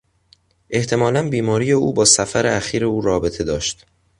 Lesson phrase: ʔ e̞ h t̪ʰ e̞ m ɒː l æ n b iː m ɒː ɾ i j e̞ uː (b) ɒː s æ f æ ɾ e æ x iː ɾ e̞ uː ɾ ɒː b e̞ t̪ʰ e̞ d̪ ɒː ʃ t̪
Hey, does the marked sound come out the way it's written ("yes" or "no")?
yes